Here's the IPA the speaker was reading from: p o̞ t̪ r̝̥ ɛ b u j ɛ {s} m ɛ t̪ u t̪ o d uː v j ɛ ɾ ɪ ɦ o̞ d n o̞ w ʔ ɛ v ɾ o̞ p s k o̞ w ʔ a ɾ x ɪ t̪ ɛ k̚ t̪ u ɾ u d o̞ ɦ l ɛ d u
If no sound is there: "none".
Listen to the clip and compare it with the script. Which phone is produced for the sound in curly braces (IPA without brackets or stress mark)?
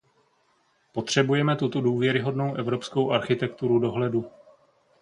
none